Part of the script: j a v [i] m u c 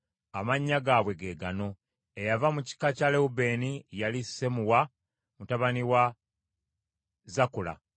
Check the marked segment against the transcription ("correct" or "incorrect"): incorrect